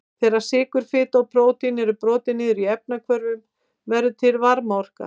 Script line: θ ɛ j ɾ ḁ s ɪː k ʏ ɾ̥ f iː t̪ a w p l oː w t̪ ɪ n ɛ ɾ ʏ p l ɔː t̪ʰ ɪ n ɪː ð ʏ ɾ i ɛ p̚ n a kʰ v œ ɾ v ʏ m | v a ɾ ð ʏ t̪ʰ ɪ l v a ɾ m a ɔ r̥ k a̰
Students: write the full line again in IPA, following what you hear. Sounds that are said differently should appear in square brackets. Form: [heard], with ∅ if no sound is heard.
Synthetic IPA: θ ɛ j ɾ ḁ s ɪː k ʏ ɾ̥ f [ɪː] t̪ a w p [ɾ] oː w t̪ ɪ n ɛ ɾ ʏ p [ɾ] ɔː [t̪] ɪ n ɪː ð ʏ ɾ i ɛ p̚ n a kʰ v œ ɾ v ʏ m | v [ɛ] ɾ ð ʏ t̪ʰ ɪ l v a ɾ m a ɔ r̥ k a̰